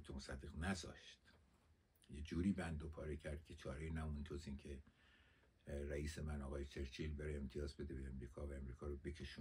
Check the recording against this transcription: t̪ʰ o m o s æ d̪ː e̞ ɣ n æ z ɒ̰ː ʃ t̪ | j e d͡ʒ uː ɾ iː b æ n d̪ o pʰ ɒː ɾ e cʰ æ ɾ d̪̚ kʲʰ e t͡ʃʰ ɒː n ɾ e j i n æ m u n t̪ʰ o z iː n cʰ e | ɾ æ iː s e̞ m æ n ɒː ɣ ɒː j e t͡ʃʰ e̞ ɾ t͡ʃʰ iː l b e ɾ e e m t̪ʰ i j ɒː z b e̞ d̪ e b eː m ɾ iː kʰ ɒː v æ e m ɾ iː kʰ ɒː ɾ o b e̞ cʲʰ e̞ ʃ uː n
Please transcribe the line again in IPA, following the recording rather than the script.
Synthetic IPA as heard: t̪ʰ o m o s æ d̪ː e̞ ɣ n æ z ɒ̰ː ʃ t̪ | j e d͡ʒ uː ɾ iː b æ n d̪ o pʰ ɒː ɾ e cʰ æ ɾ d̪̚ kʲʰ e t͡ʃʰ ɒː ɾ e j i n æ m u n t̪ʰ o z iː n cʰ e | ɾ æ iː s e̞ m æ n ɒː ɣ ɒː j e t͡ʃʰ e̞ ɾ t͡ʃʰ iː l b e ɾ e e m t̪ʰ i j ɒː z b e̞ d̪ e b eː m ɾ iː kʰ ɒː v æ e m ɾ iː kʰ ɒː ɾ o b e̞ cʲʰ e̞ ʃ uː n